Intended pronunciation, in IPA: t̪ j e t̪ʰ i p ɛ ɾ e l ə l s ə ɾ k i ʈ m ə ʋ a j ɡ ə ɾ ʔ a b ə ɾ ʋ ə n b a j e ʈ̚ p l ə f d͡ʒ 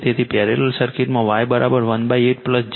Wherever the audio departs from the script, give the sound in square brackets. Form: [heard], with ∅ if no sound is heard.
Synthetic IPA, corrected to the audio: t̪ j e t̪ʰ i p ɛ ɾ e l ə l s ə ɾ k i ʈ m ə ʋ a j [b] ə ɾ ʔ a b ə ɾ ʋ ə n b a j e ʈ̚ p l ə [s] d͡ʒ